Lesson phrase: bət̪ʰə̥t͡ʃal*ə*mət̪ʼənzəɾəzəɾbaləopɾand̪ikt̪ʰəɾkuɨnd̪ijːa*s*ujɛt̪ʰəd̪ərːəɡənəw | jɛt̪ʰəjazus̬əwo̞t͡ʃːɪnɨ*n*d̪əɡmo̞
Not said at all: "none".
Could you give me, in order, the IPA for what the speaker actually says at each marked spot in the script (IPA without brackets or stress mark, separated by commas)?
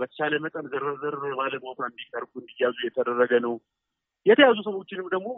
ə, z, m